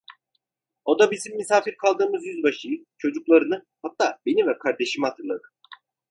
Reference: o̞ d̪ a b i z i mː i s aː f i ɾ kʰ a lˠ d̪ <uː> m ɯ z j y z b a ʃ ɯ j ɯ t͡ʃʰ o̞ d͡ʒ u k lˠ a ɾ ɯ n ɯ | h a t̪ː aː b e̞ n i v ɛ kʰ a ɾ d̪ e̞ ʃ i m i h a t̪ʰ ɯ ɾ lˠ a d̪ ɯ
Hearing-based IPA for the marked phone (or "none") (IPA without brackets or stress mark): ɯː